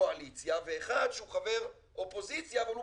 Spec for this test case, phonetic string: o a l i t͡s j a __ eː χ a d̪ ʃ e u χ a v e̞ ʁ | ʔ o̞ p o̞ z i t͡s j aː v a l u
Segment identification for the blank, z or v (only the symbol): v